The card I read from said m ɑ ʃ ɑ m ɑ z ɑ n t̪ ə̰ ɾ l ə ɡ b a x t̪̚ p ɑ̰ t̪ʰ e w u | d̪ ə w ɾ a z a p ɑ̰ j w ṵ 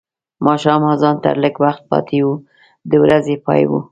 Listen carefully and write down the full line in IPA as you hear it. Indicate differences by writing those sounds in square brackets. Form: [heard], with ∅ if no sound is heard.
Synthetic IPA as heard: m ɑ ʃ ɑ m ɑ z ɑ n t̪ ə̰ ɾ l ə ɡ [w] a x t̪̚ p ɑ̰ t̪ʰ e w u | d̪ ə w ɾ a z [e] p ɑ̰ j w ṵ